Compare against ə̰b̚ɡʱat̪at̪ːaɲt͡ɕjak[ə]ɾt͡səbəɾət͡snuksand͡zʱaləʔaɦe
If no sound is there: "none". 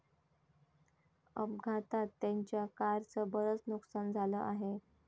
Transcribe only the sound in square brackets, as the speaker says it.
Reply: a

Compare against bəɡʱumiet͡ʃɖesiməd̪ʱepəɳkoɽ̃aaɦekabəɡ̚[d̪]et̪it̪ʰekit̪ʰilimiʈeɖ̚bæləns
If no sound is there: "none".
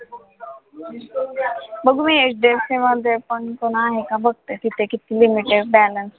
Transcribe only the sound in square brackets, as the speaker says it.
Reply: t̪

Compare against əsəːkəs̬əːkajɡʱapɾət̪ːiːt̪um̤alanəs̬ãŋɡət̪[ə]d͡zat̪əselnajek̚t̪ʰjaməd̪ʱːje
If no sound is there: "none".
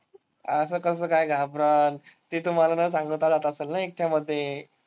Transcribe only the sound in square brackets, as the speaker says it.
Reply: a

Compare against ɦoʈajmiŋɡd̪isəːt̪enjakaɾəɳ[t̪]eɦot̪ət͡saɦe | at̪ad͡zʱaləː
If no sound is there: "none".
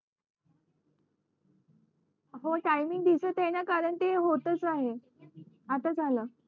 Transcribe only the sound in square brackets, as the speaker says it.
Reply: t̪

